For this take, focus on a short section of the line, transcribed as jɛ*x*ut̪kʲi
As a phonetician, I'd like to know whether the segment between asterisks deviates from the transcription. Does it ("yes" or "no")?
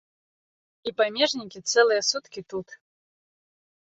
yes